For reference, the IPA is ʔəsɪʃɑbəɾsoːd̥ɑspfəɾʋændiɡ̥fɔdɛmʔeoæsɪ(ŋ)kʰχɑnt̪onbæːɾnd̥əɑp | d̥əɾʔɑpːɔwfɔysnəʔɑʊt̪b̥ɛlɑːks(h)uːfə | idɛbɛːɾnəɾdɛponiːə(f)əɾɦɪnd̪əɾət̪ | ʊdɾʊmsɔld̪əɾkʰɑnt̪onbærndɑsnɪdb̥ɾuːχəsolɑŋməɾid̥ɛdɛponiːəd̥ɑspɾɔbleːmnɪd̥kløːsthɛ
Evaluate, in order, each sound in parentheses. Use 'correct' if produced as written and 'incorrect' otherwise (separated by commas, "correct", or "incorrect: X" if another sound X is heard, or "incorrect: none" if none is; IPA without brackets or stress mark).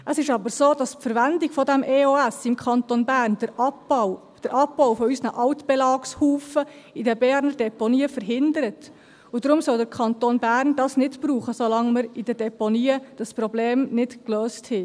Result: incorrect: m, correct, correct